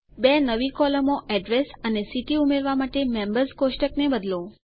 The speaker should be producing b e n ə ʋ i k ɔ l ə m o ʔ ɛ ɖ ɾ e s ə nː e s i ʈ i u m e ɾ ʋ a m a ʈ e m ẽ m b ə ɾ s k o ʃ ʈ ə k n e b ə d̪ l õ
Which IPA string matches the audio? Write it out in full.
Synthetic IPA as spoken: b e n ə ʋ i k ɔ l ə m o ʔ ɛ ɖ ɾ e s ə n e s i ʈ i u m e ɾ ʋ a m a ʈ e m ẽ m b ə ɾ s k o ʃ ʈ ə k n e b ə d̪ l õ